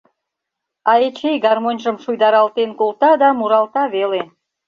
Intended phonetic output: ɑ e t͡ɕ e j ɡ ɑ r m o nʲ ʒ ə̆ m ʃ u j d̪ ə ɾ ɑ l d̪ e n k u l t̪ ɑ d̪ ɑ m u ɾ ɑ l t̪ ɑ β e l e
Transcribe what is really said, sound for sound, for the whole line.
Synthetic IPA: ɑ e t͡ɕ e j ɡ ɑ r m o nʲ ʒ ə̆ m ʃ u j d̪ ɑ ɾ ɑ l t̪ e n k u l t̪ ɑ d̪ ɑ m u ɾ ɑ l t̪ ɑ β e l e